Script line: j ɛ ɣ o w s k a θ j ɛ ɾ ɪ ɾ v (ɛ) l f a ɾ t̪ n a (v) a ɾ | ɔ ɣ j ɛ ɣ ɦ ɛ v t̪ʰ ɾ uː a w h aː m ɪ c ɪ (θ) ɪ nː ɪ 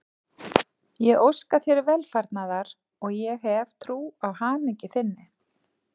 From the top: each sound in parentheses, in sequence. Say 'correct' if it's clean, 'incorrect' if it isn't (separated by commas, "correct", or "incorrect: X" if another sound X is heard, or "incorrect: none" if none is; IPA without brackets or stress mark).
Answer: correct, incorrect: ð, correct